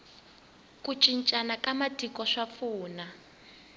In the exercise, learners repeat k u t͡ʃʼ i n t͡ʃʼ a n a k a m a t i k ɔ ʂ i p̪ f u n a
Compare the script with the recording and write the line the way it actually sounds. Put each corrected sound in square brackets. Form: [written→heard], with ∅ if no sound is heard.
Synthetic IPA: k u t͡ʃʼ i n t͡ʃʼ a n a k a m a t i k ɔ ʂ [i→a] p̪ f [u→uː] n a

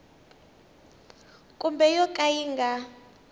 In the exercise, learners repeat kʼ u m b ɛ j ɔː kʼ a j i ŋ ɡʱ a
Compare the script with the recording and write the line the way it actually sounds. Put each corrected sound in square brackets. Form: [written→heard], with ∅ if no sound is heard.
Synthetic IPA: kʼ u m b ɛ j [ɔː→ɔ] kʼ a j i ŋ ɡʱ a

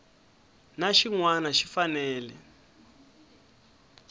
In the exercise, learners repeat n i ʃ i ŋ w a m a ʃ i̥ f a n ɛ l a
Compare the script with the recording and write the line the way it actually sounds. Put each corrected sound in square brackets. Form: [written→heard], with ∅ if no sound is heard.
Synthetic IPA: n [i→a] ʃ i ŋ w a [m→n] a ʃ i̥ f a n [ɛ→ɛː] l [a→ɛ]

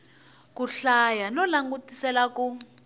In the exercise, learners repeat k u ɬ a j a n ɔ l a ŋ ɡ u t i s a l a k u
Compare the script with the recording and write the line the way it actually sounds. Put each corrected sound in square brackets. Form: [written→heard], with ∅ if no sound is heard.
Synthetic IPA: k u ɬ a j a n ɔ l a ŋ ɡ u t i s [a→ɛ] l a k u

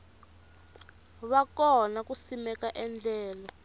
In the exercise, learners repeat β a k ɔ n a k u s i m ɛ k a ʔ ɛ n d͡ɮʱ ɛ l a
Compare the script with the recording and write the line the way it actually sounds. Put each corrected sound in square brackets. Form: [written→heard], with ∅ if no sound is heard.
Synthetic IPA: β a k ɔ n a k u s i m ɛ k a ʔ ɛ n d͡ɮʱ [ɛ→ɛː] l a

